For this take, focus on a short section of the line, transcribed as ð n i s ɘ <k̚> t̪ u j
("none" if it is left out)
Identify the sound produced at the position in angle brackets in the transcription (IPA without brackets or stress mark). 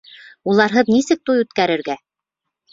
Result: k̚